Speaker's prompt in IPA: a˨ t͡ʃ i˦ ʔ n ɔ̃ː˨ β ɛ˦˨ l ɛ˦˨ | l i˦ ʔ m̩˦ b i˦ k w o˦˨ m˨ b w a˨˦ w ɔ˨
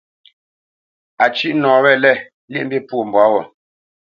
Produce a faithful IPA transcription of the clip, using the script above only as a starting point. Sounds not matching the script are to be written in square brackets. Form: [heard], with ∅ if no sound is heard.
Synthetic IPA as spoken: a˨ t͡ʃ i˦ ʔ n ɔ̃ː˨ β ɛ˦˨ l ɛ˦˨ | l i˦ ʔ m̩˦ b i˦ [p] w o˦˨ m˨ b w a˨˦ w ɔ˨